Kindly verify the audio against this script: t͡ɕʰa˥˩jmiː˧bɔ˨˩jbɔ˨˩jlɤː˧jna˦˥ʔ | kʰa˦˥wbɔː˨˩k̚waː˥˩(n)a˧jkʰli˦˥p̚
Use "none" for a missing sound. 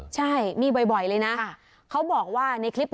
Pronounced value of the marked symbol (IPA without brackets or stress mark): n